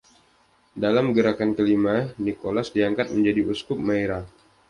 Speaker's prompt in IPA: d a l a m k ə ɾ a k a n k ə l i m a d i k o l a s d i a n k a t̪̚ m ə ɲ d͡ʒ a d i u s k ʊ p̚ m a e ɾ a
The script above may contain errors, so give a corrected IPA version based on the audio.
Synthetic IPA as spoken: d a l a m ɡ ə ɾ a k a n k ə l i m a n i k o l a s d i a ŋ k a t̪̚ m ə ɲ d͡ʒ a d i u s k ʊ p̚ m a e ɾ a